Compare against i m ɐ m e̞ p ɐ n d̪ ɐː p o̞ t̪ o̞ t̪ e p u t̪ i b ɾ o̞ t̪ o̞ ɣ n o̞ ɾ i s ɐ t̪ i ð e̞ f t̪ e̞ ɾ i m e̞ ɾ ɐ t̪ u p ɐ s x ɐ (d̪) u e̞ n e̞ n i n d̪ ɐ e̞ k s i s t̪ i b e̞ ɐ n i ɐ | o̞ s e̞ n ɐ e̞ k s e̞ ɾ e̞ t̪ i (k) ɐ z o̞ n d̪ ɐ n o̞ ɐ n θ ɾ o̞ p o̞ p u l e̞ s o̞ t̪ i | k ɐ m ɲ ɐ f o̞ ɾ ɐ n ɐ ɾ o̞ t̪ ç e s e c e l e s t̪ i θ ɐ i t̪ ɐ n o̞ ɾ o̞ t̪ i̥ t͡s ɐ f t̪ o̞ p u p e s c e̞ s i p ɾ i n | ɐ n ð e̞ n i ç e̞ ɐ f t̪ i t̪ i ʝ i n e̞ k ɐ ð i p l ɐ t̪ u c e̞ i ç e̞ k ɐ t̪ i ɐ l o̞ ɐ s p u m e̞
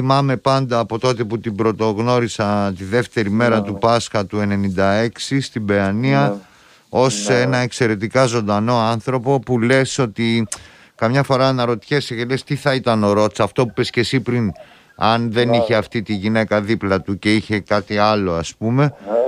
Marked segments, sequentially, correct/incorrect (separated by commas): incorrect, correct